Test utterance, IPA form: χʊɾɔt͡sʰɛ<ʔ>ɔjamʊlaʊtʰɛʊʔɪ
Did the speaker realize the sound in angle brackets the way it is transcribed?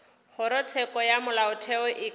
no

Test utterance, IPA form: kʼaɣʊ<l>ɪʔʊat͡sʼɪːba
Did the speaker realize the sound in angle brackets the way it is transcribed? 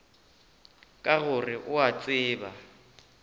no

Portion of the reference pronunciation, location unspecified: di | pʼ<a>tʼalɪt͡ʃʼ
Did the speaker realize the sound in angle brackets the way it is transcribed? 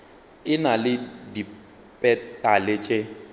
no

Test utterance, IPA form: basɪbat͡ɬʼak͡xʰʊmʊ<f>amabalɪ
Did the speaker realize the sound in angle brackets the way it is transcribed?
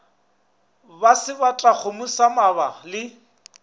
no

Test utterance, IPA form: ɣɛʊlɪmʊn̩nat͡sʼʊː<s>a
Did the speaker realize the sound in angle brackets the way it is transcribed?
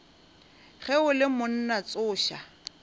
no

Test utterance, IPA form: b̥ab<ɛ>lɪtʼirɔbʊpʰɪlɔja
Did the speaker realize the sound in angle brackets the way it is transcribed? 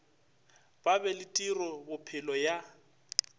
yes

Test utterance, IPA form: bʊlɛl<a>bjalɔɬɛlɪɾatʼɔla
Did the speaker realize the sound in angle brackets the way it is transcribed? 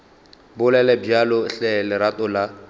no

